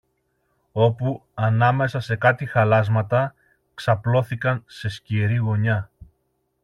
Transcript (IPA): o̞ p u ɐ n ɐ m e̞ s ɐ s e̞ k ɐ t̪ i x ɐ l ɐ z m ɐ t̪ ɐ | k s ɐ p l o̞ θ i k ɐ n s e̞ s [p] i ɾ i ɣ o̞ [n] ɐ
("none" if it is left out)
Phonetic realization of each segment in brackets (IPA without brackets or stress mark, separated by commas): c, ɲ